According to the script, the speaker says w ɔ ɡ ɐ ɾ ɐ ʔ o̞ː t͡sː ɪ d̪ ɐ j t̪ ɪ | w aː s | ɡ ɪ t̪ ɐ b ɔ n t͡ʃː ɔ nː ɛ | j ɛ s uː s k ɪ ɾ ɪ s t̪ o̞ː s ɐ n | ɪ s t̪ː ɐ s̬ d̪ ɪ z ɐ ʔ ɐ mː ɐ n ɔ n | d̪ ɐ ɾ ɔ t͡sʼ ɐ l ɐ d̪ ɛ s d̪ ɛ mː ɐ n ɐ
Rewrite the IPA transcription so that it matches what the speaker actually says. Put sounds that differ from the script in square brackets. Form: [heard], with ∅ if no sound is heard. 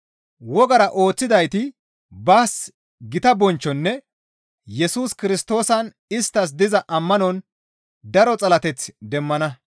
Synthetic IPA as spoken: w ɔ ɡ ɐ ɾ ɐ ʔ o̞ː t͡sː ɪ d̪ ɐ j t̪ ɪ | [b] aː s | ɡ ɪ t̪ ɐ b ɔ n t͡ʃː ɔ nː ɛ | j ɛ s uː s k ɪ ɾ ɪ s t̪ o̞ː s ɐ n | ɪ s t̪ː ɐ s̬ d̪ ɪ z ɐ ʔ ɐ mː ɐ n ɔ n | d̪ ɐ ɾ ɔ t͡sʼ ɐ l ɐ [t̪] ɛ [t͡s] d̪ ɛ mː ɐ n ɐ